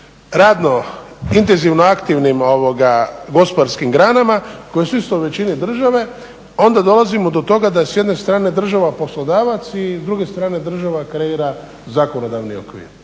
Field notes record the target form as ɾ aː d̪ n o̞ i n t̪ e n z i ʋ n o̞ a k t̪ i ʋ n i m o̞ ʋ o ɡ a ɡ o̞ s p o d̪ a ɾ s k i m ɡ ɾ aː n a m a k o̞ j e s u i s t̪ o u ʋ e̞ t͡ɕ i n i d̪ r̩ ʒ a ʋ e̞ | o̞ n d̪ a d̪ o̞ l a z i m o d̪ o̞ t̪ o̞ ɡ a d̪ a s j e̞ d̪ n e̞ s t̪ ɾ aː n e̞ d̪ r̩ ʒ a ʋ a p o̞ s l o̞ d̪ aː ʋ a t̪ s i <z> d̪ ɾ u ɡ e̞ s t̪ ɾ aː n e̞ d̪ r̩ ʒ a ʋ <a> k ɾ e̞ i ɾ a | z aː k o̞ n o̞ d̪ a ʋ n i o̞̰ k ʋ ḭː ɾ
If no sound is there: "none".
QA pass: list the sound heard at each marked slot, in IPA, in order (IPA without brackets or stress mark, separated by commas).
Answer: z, a